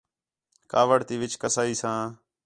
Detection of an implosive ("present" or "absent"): absent